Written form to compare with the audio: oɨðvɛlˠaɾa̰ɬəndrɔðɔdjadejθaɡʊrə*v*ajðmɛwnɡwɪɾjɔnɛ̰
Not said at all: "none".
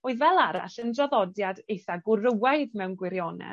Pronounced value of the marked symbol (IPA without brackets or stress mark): w